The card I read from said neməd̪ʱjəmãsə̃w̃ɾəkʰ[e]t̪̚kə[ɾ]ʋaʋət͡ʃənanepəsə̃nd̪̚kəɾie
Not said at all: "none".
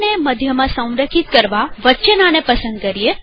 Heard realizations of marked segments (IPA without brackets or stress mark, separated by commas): i, ɾ